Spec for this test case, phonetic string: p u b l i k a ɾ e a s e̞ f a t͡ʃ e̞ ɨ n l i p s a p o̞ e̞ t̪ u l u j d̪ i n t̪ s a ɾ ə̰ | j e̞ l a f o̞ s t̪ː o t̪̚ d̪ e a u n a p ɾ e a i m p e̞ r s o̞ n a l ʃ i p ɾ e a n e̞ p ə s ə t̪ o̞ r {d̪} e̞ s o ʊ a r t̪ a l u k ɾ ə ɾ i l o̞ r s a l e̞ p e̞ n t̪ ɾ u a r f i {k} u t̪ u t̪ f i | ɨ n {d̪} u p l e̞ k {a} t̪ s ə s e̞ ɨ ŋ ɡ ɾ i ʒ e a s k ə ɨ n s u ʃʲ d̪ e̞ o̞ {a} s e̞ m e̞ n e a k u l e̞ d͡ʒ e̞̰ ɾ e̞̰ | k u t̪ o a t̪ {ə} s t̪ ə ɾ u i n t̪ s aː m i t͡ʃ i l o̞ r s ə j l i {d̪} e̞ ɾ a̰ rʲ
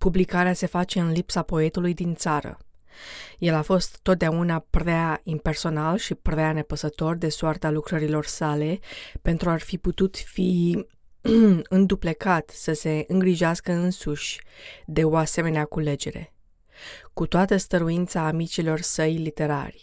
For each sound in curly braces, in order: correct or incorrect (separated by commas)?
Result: correct, incorrect, correct, correct, correct, correct, incorrect